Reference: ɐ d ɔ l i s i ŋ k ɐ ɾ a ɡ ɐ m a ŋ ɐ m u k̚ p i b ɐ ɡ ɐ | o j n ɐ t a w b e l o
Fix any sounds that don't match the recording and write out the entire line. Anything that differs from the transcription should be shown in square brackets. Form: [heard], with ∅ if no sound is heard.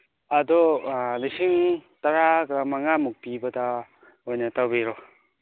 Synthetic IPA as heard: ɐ d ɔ l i s i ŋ [t] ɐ ɾ a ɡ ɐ m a ŋ [a] m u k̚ p i b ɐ [d] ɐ | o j n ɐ t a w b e [ɾ] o